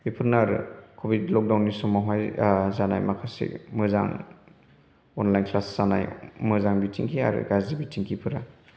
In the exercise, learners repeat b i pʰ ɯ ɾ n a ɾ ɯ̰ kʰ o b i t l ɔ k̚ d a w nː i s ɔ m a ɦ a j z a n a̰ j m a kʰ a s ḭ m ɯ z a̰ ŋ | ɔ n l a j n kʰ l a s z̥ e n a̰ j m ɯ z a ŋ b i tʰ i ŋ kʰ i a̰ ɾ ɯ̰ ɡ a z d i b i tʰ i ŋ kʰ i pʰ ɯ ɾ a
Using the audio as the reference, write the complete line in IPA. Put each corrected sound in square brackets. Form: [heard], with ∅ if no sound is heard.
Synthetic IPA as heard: b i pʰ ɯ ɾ n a ɾ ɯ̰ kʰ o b i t l ɔ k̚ d a w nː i s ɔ m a ɦ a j z a n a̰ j m a kʰ a s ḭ m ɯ z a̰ ŋ | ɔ n l a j n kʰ l a s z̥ [a] n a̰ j m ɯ z a ŋ b i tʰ i ŋ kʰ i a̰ ɾ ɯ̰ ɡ a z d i b i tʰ i ŋ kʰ i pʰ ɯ ɾ a